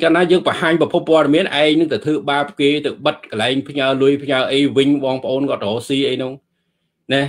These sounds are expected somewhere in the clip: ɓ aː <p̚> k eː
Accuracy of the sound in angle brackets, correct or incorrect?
correct